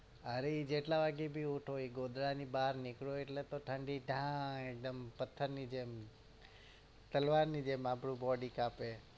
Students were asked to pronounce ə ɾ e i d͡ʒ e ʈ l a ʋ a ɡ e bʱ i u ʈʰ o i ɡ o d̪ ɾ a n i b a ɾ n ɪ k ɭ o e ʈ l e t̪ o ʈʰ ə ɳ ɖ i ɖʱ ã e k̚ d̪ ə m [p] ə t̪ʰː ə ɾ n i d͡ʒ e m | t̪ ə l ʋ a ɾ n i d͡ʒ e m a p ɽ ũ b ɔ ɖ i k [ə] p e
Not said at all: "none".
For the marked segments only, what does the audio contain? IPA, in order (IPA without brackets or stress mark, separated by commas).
p, a